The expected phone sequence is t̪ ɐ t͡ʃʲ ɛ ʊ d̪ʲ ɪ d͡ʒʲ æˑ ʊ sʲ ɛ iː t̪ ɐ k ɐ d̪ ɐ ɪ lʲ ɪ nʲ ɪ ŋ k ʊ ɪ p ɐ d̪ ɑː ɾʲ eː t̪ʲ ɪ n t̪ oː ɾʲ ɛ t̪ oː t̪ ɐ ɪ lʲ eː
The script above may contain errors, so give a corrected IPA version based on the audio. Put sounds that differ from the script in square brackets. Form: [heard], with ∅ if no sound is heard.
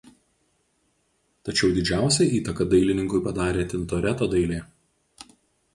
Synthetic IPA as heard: t̪ ɐ t͡ʃʲ ɛ ʊ d̪ʲ ɪ d͡ʒʲ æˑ ʊ sʲ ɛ iː t̪ ɐ k ɐ d̪ ɐ ɪ lʲ ɪ nʲ ɪ ŋ k ʊ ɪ p ɐ d̪ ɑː ɾʲ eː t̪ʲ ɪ n t̪ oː ɾʲ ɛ t̪ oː [d̪] ɐ ɪ lʲ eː